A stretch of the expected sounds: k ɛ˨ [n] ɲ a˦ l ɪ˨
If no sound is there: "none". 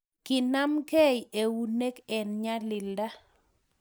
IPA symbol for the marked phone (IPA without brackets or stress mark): n